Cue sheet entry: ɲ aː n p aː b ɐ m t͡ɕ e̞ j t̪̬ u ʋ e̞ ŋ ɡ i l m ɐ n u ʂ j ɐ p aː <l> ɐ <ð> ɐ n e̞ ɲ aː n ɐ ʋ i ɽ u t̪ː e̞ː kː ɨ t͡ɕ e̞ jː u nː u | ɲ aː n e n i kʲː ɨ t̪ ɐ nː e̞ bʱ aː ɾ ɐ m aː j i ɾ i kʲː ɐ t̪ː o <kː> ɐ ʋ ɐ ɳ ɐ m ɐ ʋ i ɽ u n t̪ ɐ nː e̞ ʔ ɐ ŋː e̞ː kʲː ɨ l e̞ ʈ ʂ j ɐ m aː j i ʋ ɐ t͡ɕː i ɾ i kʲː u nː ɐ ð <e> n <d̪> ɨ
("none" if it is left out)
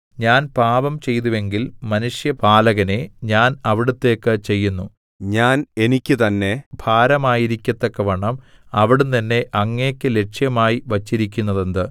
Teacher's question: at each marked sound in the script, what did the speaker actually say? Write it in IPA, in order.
l, ɣ, kː, e, d̪

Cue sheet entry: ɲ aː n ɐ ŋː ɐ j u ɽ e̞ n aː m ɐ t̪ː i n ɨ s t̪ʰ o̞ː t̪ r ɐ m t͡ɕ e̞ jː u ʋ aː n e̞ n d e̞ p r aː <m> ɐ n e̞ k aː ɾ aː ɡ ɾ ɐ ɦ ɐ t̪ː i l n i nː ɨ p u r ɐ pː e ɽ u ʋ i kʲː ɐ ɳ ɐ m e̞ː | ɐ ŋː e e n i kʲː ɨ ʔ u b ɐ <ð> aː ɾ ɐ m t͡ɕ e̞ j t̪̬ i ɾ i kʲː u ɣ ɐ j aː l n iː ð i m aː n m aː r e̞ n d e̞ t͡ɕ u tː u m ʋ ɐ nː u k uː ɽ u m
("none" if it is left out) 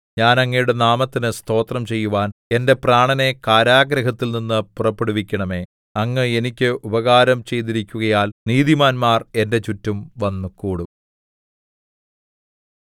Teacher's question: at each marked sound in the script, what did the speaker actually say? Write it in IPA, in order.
ɳ, ɣ

